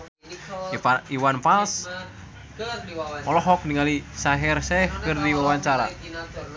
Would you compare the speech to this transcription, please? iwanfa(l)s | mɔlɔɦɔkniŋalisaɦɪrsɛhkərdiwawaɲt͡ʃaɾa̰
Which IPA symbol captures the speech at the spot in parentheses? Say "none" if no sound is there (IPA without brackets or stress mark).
l